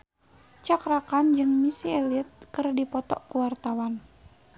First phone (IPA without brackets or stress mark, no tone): t͡ʃ